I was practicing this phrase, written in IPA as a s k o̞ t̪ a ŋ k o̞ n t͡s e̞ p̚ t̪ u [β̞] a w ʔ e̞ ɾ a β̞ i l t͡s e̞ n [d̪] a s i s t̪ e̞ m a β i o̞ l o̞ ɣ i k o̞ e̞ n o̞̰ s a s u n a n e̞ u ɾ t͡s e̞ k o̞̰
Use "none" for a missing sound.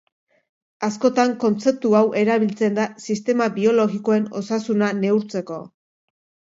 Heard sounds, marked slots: none, d̪

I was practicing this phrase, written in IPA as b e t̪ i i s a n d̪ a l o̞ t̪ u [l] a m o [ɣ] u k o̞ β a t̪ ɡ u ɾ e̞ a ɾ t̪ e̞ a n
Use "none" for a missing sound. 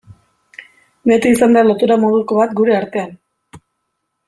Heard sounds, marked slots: ɾ, ð

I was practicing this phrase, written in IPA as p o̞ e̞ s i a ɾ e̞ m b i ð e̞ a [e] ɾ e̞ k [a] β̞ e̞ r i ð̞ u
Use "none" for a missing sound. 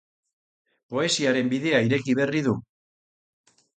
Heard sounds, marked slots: i, i

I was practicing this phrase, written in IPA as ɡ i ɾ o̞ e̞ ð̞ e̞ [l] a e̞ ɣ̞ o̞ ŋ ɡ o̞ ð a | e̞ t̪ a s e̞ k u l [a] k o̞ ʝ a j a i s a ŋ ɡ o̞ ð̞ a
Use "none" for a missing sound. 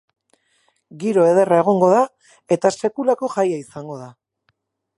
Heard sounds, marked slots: r, a

